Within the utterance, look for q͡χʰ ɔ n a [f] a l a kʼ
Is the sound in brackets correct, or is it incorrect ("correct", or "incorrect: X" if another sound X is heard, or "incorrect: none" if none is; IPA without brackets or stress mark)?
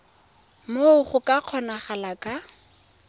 incorrect: χ